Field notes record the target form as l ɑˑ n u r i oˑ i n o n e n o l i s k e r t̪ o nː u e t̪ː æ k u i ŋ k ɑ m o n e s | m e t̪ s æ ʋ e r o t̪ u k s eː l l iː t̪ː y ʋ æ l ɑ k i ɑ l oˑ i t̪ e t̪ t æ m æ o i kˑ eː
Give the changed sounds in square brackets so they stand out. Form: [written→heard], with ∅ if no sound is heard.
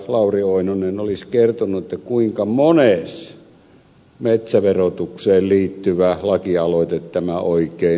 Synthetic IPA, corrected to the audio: l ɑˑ [n→∅] u r i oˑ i n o n e n o l i s k e r t̪ o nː u e t̪ː æ k u i ŋ k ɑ m o n e s | m e t̪ s æ ʋ e r o t̪ u k s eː l l iː t̪ː y ʋ æ l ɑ k i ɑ l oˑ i t̪ e t̪ t æ m æ o i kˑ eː